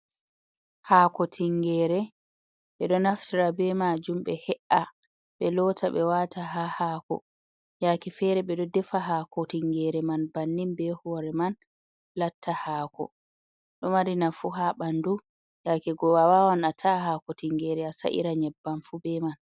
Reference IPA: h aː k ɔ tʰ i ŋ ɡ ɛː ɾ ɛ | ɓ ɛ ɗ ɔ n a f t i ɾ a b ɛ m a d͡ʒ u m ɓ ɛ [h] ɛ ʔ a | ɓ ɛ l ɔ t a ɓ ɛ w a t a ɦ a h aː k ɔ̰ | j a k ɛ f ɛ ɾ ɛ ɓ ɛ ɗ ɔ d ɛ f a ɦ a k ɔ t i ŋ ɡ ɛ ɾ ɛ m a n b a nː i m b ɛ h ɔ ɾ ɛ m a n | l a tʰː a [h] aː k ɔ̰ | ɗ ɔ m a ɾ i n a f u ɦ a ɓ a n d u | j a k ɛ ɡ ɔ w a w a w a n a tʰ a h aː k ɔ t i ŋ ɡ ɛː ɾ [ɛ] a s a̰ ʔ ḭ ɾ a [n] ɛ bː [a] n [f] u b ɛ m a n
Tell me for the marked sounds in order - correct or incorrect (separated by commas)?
correct, correct, correct, incorrect, correct, correct